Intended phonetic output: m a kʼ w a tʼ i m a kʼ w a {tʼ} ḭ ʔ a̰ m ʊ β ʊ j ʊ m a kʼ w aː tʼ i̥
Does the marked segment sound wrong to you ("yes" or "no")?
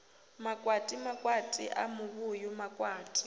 no